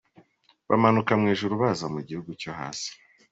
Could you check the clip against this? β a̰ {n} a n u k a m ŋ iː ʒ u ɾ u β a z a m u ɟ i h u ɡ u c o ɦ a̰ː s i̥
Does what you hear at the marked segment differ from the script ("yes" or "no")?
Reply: yes